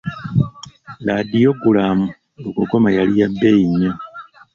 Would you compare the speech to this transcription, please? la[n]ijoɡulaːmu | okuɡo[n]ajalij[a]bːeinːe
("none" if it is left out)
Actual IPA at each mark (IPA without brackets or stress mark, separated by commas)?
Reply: d, m, a